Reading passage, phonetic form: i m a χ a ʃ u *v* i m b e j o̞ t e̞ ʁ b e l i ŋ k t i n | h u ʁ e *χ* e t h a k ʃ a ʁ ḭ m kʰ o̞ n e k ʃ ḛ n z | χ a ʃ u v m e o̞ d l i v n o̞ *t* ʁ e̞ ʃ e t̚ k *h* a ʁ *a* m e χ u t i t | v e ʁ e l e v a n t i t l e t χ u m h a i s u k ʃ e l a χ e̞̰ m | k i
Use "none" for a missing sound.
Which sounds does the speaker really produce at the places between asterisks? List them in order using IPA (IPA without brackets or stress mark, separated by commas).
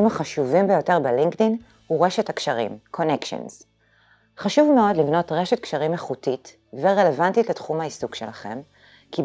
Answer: v, ʃ, t, ʃ, i